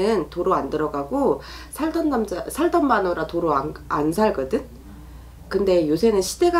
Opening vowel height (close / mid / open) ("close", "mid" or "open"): close